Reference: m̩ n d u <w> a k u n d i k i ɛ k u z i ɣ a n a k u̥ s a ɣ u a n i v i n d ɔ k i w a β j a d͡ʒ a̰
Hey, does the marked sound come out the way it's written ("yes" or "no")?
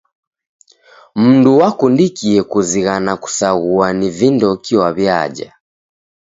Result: yes